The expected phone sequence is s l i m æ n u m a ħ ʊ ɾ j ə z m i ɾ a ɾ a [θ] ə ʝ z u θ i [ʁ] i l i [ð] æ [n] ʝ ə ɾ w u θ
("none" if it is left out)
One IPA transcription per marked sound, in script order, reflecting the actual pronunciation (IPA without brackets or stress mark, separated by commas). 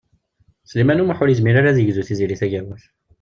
ð, z, θ, none